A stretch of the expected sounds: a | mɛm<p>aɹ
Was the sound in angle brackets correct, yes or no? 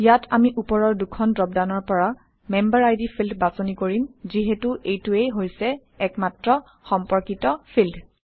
no